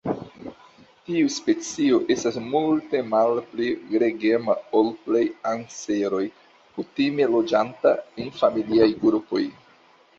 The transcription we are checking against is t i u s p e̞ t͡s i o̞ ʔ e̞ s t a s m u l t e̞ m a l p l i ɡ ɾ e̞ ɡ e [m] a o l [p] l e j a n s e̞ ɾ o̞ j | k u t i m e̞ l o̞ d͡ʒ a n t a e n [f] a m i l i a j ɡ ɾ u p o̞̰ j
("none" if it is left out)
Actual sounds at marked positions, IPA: m, p, f

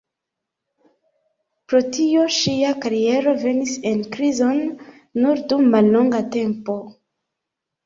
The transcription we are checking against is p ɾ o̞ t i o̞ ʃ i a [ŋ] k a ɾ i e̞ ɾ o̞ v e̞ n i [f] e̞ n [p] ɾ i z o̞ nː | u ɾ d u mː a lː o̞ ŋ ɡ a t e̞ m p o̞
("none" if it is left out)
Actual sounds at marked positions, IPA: none, s, k

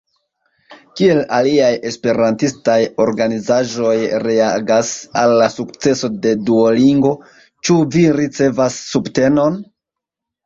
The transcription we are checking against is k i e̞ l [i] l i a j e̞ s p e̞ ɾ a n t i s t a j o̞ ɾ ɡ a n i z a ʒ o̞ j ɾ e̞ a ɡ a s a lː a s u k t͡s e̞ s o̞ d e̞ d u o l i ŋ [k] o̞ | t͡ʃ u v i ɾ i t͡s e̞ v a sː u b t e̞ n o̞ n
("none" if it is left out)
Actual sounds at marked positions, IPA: a, ɡ

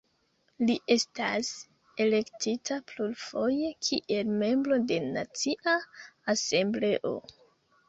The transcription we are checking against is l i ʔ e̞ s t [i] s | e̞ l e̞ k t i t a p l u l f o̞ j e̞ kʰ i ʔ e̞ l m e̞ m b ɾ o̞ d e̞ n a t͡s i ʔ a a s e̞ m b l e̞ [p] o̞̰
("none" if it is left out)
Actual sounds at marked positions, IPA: a, ʔ

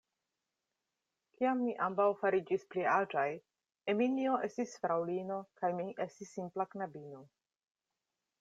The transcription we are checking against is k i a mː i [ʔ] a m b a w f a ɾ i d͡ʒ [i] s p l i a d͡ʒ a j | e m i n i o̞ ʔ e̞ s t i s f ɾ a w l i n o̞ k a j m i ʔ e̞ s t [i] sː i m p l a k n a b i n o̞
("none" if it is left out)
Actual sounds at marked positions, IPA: ʔ, i, i

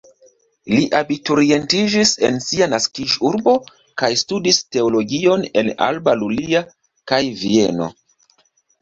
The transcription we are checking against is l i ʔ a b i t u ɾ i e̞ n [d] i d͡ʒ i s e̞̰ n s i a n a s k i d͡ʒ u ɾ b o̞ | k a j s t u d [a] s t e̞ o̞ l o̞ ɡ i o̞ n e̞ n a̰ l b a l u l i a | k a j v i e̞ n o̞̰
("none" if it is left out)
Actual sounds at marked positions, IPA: t, i

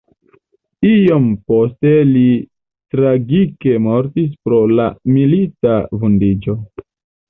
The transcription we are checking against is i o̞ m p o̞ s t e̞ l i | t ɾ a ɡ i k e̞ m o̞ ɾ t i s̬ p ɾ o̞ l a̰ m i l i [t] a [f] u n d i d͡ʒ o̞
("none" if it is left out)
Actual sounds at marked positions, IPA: t, v

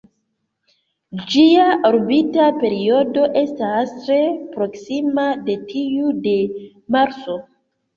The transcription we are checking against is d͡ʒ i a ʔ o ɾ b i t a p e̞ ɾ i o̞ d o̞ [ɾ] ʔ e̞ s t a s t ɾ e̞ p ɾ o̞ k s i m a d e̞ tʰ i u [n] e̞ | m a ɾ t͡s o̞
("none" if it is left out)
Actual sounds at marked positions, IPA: none, d

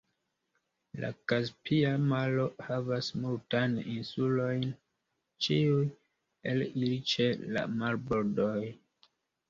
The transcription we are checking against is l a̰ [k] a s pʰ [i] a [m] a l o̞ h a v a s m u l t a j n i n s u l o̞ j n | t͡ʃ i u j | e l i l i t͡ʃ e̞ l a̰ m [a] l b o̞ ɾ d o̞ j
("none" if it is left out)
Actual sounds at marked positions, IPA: k, i, m, a

